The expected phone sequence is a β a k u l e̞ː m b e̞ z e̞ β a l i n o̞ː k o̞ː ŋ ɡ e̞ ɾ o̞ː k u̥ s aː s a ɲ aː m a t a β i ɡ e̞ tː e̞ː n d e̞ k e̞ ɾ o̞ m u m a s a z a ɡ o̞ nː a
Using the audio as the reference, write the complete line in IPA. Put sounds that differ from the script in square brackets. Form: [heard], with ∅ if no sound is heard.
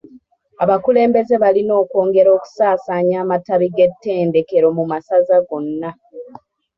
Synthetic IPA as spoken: a β a k u l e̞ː m b e̞ z e̞ β a l i n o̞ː k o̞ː ŋ ɡ e̞ ɾ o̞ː k u̥ s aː s a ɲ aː m a t a β i ɡ e̞ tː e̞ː n d e̞ k e̞ ɾ o̞ m u m a s a z a ɡ o̞ nː a